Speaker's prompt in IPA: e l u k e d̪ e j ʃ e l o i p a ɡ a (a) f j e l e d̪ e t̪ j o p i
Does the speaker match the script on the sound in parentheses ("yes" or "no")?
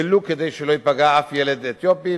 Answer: yes